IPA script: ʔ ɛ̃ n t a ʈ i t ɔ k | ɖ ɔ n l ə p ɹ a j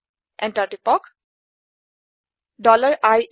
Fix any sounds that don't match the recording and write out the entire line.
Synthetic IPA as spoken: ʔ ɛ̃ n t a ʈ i p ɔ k | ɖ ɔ l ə ɹ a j